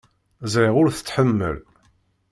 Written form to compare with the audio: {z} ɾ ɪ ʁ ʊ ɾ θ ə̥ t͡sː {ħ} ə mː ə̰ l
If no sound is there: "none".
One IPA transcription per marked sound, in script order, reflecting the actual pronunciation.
z, ħ

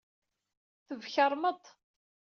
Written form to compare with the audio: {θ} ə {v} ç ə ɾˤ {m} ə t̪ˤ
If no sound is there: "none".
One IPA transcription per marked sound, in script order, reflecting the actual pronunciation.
θ, v, m

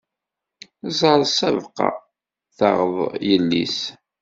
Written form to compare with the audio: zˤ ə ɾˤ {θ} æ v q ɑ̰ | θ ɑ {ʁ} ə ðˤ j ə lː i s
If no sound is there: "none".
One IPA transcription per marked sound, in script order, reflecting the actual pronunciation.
s, ʁ

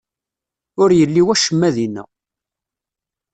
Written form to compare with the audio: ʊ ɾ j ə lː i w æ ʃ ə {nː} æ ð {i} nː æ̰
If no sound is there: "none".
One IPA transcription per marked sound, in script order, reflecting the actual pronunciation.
mː, i

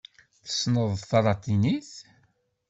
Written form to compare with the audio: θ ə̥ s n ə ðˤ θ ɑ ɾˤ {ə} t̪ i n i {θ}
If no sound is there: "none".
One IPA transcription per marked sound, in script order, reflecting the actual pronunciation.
ɑ, θ

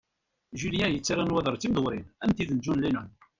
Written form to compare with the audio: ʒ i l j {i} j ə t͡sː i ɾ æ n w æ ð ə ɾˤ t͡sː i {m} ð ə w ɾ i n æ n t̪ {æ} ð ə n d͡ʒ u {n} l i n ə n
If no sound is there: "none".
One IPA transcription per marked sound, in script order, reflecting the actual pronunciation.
æ, m, i, n

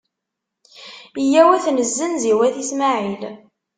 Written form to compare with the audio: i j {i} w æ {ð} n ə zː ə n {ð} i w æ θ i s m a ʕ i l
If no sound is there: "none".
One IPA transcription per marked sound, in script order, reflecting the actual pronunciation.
æ, θ, z

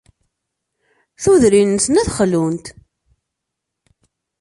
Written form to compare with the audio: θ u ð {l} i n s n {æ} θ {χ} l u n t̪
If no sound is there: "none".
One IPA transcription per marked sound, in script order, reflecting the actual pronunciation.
ɾ, æ, χ

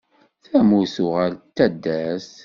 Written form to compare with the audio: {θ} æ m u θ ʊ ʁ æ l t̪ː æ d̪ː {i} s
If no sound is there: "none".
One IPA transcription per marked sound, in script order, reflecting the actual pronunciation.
θ, æ

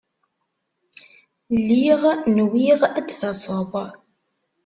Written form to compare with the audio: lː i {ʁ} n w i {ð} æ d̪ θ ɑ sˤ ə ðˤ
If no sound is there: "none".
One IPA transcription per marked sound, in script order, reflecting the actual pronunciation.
ʁ, ʁ

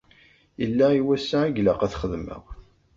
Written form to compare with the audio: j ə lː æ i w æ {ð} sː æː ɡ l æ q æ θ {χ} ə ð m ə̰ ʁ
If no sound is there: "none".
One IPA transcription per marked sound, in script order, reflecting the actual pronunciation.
none, χ

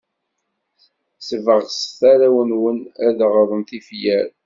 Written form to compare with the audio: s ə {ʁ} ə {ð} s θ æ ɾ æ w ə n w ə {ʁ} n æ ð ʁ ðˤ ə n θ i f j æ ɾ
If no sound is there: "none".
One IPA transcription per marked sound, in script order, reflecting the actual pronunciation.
v, ʁ, none

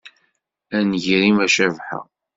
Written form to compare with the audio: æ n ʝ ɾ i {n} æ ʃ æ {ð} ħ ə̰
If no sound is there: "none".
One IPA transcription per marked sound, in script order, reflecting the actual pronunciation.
m, v

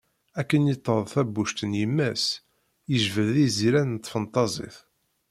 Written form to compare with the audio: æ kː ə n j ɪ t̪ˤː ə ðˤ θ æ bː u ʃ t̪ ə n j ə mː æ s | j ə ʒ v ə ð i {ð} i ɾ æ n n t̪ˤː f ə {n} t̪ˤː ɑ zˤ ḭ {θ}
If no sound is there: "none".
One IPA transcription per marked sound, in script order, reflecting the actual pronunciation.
z, n, θ

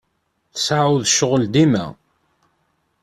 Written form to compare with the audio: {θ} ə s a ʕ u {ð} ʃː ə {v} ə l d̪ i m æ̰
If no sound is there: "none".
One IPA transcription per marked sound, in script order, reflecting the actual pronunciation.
θ, ð, ʁ

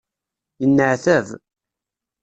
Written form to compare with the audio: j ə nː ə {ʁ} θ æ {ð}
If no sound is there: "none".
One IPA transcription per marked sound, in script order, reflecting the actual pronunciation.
ʕ, v

